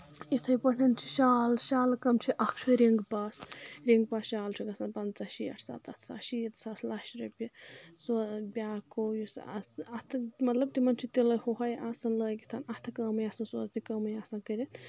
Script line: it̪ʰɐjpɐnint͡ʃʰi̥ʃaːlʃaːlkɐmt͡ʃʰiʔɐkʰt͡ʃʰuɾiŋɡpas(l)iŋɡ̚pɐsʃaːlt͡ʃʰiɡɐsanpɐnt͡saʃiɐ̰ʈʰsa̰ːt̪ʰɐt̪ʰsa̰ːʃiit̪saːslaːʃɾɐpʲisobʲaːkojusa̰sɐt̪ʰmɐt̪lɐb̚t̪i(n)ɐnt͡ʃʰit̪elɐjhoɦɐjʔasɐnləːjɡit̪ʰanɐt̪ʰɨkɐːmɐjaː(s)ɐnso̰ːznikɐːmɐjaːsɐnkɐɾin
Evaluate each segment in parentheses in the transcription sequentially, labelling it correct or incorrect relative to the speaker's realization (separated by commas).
incorrect, incorrect, correct